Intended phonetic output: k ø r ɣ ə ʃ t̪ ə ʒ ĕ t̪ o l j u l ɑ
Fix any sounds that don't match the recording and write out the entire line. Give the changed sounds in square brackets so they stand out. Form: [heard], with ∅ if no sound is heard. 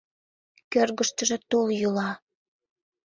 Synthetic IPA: k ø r ɣ ə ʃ t̪ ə ʒ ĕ t̪ o l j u l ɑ